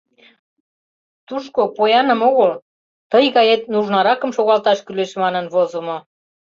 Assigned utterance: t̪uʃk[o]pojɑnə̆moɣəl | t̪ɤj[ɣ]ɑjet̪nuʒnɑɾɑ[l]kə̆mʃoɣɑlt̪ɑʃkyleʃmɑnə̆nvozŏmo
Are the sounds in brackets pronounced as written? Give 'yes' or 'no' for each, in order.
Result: yes, yes, no

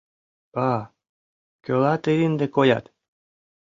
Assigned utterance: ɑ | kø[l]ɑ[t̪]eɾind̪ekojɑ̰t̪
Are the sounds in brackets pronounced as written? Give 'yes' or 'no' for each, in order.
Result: yes, yes

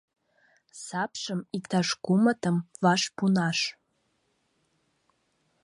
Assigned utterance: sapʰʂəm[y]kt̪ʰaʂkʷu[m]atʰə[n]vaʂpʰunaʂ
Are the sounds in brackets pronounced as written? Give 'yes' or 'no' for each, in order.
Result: no, yes, no

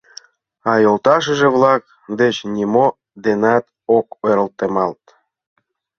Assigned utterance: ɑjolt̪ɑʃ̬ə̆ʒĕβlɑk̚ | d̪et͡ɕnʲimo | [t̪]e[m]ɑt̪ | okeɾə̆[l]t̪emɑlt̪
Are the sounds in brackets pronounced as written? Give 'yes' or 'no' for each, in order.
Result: no, no, yes

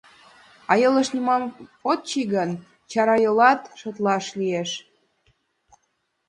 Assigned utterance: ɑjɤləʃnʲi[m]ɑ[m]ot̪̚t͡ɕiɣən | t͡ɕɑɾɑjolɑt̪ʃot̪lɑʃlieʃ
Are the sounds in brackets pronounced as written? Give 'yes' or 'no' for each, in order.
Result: yes, yes

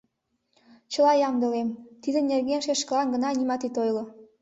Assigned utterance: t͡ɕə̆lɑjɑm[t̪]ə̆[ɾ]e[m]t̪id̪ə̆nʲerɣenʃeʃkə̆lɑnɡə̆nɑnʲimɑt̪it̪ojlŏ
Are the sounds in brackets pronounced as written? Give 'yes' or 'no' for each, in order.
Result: no, no, yes

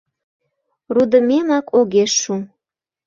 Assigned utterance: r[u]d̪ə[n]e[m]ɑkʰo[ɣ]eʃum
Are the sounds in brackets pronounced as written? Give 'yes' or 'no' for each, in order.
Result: yes, no, yes, yes

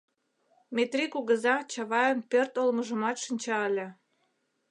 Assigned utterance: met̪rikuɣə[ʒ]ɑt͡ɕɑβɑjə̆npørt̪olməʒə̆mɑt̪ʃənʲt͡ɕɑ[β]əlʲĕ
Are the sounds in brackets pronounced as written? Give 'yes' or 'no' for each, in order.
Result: no, no

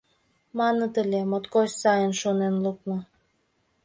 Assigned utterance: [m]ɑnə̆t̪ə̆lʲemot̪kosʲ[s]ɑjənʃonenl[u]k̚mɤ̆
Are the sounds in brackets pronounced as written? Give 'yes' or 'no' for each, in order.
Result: yes, yes, yes

